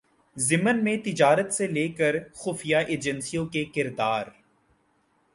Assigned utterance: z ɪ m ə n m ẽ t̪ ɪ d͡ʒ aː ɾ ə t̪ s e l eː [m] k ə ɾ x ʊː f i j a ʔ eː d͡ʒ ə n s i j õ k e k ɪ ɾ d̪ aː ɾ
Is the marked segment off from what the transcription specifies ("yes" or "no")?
yes